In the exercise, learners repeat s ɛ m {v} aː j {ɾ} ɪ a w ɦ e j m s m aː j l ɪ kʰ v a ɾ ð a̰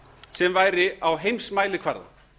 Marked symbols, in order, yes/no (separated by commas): yes, yes